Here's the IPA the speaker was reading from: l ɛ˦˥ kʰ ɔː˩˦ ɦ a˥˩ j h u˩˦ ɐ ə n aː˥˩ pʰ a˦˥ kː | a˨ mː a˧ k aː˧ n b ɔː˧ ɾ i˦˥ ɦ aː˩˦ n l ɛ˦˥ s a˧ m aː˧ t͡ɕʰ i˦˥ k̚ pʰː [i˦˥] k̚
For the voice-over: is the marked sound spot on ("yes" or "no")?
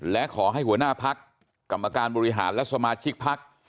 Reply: no